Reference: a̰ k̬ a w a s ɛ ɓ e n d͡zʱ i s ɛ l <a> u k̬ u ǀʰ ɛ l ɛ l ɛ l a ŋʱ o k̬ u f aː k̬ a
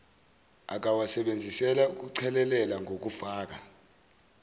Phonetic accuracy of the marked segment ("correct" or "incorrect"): correct